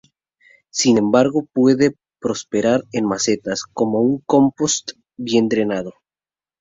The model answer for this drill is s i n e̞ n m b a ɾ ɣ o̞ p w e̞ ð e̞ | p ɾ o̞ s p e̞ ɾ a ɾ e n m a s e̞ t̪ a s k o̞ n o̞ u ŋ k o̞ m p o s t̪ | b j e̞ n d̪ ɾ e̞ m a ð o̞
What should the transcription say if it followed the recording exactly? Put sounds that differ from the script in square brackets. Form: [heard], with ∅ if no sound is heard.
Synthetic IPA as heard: s i n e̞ [∅] m b a ɾ ɣ o̞ p w e̞ ð e̞ | p ɾ o̞ s p e̞ ɾ a ɾ e n m a s e̞ t̪ a s k o̞ [m] o̞ u ŋ k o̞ m p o s t̪ | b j e̞ n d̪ ɾ e̞ [n] a ð o̞